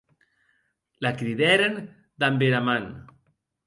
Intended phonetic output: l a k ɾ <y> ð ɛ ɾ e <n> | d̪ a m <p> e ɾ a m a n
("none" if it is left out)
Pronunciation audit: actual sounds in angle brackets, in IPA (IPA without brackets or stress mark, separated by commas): i, n, b